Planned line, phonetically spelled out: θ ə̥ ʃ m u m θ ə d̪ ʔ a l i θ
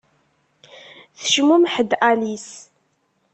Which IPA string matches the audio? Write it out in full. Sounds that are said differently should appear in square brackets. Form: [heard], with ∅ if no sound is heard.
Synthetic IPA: θ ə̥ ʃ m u m [ħ] ə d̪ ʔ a l i [s]